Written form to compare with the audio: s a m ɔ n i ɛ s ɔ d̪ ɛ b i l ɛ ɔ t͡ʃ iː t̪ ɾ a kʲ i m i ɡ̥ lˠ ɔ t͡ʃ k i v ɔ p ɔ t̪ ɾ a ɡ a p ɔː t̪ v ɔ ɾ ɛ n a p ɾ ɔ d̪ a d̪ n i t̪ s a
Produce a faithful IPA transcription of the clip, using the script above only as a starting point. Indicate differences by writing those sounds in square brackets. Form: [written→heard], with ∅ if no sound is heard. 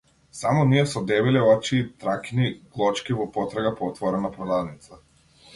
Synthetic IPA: s a m ɔ n i ɛ s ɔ d̪ ɛ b i l ɛ ɔ t͡ʃ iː t̪ ɾ a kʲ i [m→n] i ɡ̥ lˠ ɔ t͡ʃ k i v ɔ p ɔ t̪ ɾ a ɡ a p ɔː t̪ v ɔ ɾ ɛ n a p ɾ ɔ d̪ a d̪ n i t̪ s a

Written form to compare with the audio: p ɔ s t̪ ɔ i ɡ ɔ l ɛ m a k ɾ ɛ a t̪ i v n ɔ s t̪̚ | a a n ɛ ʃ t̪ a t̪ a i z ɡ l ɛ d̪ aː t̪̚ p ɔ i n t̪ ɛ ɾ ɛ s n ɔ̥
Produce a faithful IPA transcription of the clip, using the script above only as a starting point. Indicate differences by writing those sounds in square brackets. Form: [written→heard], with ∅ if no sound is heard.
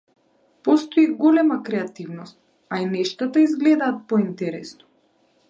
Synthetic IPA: p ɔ s t̪ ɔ i ɡ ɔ l ɛ m a k ɾ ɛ a t̪ i v n ɔ s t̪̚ | a [a→i] n ɛ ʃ t̪ a t̪ a i z ɡ l ɛ d̪ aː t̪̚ p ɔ i n t̪ ɛ ɾ ɛ s n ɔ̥

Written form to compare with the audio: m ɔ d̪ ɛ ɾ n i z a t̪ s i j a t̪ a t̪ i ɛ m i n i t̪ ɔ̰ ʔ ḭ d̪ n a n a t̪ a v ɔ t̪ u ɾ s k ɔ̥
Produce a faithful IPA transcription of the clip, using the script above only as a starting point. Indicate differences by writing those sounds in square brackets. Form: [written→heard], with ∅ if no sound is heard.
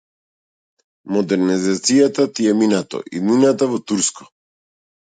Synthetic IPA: m ɔ d̪ ɛ ɾ n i z a t̪ s i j a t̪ a t̪ i ɛ m i n [i→a] t̪ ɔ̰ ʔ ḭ d̪ n [a→i] n a t̪ a v ɔ t̪ u ɾ s k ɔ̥

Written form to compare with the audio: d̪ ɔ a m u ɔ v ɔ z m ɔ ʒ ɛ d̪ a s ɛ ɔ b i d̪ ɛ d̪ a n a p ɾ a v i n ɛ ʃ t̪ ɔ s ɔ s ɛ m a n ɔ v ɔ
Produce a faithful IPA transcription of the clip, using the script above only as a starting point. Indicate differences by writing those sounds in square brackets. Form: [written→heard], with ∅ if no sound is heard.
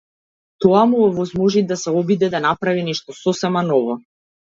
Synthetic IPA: [d̪→t̪] ɔ a m u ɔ v ɔ z m ɔ ʒ [ɛ→i] d̪ a s ɛ ɔ b i d̪ ɛ d̪ a n a p ɾ a v i n ɛ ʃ t̪ ɔ s ɔ s ɛ m a n ɔ v ɔ

